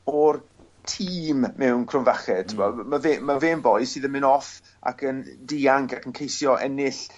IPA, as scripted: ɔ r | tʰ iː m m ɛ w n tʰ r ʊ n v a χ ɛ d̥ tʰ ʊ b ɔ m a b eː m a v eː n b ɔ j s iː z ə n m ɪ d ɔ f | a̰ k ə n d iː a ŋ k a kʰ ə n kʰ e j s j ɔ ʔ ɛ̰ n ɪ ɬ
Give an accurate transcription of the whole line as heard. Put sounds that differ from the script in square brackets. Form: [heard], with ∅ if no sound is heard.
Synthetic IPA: ɔ r | tʰ iː m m ɛ w n [kʰ] r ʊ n v a χ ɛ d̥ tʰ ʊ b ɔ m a [v] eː m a v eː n b ɔ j s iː [ð] ə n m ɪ [n] ɔ f | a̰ k ə n d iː a ŋ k a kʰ ə n kʰ e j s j ɔ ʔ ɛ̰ n ɪ ɬ